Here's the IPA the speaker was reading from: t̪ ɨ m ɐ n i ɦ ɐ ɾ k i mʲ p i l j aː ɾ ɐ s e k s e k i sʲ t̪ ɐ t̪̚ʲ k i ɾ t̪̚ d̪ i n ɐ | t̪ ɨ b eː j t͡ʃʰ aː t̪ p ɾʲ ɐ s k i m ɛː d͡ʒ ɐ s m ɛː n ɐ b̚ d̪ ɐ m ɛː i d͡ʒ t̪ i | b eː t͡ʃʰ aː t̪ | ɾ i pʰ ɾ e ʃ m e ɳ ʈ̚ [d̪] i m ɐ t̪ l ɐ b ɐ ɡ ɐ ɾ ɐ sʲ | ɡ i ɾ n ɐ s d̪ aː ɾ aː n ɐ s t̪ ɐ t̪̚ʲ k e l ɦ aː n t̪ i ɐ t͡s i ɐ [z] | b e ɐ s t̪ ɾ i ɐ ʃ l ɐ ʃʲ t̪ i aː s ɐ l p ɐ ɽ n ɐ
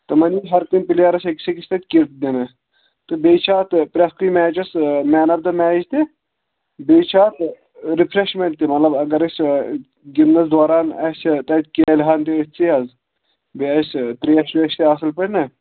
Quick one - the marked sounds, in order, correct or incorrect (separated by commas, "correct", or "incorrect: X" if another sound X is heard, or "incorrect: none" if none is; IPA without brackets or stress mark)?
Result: incorrect: t̪, correct